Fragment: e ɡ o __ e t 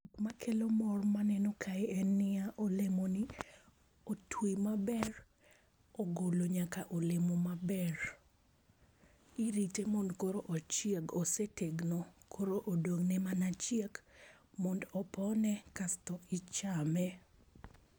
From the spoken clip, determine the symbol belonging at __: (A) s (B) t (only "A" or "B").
A